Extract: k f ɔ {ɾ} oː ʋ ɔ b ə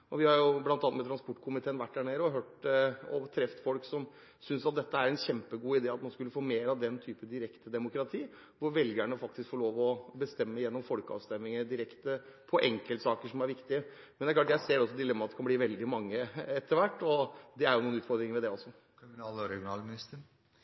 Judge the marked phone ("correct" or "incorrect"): incorrect